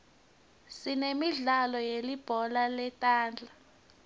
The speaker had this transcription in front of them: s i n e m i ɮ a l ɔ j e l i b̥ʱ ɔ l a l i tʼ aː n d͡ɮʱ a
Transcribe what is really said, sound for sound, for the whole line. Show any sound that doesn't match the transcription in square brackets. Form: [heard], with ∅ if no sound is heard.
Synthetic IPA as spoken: s i n e m i ɮ a l ɔ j e l i b̥ʱ ɔ l a l [ɛ] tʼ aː n d͡ɮʱ a